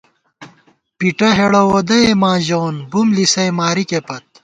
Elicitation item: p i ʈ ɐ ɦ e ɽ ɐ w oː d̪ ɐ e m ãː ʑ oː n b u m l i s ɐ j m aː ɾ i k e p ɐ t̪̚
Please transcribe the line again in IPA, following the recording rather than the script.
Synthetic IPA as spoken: p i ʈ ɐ ɦ e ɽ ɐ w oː d̪ ɐ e m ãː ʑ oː n b u m l i s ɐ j m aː ɾ i k e p ɐ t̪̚